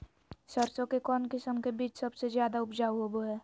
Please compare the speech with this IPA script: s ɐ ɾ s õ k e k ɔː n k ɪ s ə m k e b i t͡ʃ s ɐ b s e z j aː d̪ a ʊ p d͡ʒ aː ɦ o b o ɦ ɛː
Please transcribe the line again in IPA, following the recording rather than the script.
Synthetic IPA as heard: s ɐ ɾ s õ k e k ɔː n k ɪ s ə m k e b iː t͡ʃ s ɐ b s e z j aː d̪ a ʊ p d͡ʒ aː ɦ o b o ɦ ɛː